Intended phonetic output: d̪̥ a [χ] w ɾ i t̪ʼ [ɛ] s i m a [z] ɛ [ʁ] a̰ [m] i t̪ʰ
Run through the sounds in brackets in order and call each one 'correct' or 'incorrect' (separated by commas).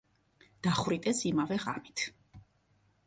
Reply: correct, correct, incorrect, correct, correct